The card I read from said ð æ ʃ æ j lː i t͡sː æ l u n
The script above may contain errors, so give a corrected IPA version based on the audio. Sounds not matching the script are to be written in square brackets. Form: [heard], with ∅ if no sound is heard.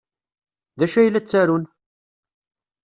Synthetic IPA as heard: ð æ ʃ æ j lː [æ] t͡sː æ [ɾ] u n